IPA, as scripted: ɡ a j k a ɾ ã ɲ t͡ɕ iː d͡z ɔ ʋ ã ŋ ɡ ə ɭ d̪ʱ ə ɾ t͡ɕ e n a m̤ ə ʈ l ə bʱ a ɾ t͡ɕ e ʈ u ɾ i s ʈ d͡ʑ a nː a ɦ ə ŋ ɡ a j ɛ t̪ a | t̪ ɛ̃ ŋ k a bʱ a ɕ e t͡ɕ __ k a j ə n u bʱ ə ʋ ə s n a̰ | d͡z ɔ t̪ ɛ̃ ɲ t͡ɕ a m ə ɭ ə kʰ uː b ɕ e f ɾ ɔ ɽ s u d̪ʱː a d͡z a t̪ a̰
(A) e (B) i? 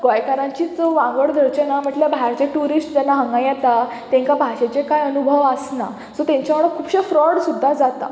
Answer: A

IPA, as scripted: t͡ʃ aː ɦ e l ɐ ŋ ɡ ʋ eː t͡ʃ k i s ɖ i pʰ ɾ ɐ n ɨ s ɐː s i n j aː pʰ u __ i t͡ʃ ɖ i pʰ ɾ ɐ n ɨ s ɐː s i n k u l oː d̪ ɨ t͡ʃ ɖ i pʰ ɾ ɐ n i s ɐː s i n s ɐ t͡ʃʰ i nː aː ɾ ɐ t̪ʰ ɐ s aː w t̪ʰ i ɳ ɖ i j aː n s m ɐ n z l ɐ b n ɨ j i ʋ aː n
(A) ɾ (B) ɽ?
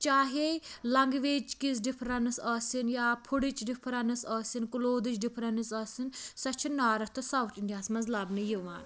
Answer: B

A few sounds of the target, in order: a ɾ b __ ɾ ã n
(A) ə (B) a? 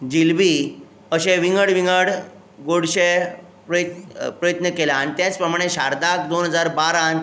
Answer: B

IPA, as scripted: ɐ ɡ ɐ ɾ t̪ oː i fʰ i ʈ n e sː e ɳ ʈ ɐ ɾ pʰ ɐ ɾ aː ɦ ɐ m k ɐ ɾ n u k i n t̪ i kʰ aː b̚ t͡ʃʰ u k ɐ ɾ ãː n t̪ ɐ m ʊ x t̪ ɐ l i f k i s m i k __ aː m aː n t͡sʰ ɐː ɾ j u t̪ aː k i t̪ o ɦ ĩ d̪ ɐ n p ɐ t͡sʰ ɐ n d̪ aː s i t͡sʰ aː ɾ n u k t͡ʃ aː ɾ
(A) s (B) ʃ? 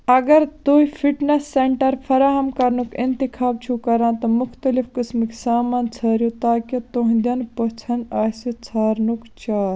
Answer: A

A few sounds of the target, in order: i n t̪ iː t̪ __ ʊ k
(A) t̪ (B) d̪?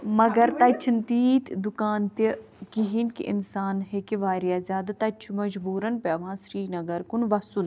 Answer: B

